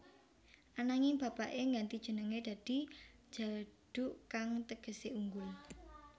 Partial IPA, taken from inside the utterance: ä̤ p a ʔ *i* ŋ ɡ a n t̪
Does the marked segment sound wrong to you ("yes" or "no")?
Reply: yes